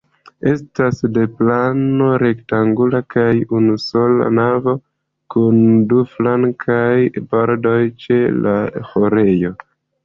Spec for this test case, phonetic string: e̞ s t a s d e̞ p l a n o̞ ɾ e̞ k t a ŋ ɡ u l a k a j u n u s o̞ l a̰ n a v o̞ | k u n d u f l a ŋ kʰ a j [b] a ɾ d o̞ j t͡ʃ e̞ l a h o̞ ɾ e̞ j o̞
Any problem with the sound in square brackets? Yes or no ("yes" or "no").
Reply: no